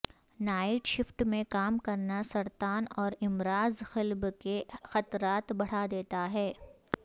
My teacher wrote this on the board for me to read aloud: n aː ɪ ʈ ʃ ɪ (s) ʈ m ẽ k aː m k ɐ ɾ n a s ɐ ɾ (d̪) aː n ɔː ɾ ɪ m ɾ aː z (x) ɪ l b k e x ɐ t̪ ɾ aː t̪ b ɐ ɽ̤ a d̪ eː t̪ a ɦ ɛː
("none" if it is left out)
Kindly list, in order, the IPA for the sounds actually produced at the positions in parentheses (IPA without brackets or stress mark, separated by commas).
f, t̪, x